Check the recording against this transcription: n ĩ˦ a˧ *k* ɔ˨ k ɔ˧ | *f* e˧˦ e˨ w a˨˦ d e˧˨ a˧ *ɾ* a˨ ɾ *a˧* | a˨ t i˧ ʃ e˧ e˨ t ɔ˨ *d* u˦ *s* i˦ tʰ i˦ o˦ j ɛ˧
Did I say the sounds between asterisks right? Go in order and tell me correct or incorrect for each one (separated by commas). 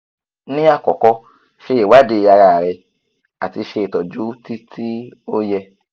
correct, incorrect, correct, incorrect, incorrect, incorrect